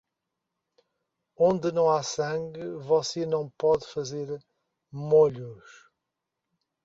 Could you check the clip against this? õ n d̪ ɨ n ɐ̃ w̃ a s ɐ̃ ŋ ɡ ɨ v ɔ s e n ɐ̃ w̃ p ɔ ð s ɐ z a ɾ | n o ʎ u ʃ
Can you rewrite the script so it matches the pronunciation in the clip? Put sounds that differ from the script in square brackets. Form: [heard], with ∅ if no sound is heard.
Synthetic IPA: õ n d̪ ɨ n ɐ̃ w̃ a s ɐ̃ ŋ ɡ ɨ v ɔ s e n ɐ̃ w̃ p ɔ ð [f] ɐ z [e] ɾ | [m] o ʎ u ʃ